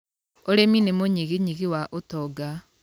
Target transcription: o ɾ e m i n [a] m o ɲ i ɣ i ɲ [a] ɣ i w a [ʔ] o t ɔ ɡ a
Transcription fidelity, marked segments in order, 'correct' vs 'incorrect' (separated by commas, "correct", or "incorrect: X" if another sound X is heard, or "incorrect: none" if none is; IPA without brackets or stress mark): incorrect: e, incorrect: i, correct